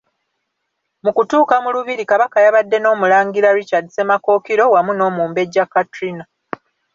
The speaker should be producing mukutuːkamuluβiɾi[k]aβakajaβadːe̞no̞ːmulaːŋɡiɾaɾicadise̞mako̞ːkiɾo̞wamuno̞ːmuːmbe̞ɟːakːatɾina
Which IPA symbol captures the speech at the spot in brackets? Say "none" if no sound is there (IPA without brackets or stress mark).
k